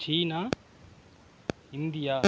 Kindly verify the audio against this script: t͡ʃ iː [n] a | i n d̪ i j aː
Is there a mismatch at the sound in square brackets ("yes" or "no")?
no